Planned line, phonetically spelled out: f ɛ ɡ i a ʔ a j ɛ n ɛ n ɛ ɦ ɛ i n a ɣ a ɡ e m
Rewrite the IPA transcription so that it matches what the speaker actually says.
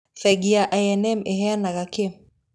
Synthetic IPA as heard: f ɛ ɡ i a ʔ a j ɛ n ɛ m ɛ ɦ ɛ a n a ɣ a k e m